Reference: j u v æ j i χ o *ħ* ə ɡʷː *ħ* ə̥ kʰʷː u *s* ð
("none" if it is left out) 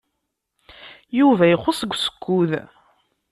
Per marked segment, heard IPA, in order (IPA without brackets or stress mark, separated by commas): s, s, none